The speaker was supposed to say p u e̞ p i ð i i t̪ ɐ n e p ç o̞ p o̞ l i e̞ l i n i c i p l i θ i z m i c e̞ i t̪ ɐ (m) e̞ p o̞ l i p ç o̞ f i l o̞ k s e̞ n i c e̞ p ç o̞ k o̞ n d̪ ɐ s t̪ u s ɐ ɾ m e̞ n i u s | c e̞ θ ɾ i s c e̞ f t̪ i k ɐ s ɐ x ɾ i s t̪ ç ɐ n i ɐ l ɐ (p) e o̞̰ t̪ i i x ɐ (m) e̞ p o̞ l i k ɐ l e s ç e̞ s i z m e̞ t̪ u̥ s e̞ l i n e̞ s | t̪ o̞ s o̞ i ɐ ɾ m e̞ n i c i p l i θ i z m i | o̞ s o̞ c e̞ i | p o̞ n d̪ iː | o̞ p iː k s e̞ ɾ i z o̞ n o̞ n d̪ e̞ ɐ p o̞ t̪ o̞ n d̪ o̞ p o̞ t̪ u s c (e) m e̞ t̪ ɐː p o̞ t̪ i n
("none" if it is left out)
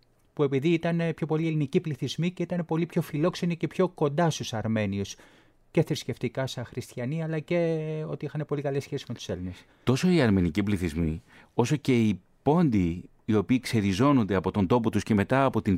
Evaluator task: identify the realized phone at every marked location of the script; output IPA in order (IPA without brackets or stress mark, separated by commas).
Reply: n, c, n, e